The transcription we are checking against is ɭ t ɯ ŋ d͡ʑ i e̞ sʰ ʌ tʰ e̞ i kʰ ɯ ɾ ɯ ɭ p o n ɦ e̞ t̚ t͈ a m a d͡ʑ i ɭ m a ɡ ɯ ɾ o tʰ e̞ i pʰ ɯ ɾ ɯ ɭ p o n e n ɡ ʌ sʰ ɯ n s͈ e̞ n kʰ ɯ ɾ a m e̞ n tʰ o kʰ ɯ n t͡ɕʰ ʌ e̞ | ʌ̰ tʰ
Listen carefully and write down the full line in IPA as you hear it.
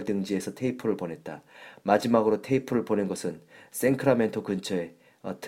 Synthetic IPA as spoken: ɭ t ɯ ŋ d͡ʑ i e̞ sʰ ʌ tʰ e̞ i pʰ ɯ ɾ ɯ ɭ p o n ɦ e̞ t̚ t͈ a m a d͡ʑ i m a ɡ ɯ ɾ o tʰ e̞ i pʰ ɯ ɾ ɯ ɭ p o n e n ɡ ʌ sʰ ɯ n s͈ e̞ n kʰ ɯ ɾ a m e̞ n tʰ o k ɯ n t͡ɕʰ ʌ e̞ | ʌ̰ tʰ